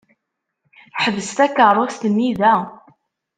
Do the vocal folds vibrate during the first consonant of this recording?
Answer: no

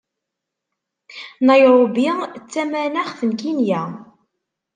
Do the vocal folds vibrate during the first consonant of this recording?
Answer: yes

